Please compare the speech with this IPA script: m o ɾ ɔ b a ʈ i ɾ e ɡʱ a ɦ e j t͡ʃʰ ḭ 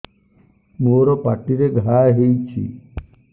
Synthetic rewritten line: m o ɾ ɔ p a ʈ i ɾ e ɡʱ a ɦ e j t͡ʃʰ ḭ